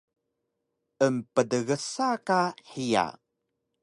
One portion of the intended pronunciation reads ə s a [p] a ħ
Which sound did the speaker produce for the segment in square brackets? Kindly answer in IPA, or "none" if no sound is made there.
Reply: k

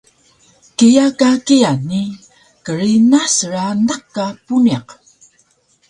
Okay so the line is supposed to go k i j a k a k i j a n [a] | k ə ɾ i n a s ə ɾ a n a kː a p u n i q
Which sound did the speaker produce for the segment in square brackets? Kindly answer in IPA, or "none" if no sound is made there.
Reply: i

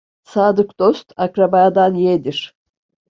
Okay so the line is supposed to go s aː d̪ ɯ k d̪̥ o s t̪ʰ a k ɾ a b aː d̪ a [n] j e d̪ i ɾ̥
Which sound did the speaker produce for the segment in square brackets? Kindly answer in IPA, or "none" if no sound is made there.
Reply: n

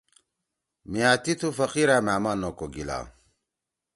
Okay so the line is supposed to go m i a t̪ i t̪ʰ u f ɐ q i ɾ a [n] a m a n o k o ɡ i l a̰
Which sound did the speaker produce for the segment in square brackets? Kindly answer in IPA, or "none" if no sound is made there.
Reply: m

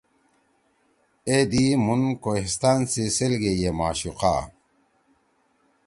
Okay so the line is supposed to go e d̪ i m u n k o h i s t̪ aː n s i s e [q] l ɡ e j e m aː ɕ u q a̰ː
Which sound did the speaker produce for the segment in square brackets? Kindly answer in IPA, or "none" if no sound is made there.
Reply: none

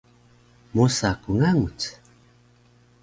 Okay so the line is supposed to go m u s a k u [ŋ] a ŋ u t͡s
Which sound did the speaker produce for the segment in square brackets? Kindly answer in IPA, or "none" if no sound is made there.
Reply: ŋ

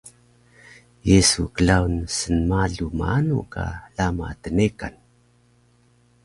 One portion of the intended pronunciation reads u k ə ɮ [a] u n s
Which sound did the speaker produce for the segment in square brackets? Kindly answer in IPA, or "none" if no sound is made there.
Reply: a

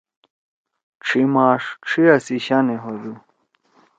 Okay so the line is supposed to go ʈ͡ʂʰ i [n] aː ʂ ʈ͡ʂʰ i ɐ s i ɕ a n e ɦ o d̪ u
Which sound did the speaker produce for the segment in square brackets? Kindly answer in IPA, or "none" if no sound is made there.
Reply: m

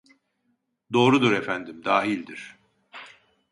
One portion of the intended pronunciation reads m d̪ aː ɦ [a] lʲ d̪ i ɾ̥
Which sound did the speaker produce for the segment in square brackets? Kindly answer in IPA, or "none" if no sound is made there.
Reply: i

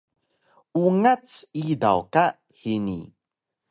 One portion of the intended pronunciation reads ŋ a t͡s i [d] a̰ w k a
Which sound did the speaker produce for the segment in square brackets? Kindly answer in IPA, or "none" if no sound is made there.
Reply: d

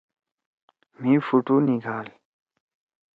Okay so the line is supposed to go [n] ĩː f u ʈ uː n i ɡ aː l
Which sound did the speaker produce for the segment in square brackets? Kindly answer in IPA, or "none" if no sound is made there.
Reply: m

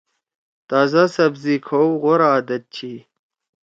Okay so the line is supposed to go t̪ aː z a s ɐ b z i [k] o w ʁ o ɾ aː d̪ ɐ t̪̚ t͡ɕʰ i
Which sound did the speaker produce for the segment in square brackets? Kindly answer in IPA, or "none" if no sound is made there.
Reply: kʰ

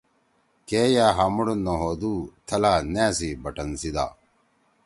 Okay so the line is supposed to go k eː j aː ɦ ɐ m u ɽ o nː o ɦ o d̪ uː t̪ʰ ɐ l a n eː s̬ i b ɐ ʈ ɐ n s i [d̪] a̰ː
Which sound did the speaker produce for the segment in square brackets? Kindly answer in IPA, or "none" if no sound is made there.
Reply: d̪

